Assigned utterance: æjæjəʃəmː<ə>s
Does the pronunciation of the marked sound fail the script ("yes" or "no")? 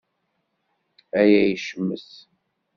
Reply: no